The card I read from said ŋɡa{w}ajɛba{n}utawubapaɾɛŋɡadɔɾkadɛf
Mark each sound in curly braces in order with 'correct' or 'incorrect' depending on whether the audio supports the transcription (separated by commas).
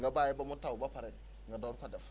incorrect, incorrect